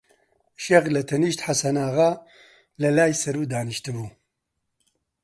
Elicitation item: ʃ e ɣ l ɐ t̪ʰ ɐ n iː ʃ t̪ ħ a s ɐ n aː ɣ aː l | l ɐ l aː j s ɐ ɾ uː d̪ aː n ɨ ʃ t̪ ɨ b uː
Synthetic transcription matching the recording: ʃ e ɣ l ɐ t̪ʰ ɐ n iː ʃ t̪ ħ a s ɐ n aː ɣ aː | l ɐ l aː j s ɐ ɾ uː d̪ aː n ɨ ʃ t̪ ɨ b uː